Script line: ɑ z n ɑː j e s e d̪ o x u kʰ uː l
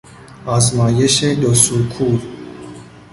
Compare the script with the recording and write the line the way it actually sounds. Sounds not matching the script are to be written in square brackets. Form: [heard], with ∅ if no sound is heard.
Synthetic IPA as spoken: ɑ z [m] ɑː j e [ʃ] e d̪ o [s] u kʰ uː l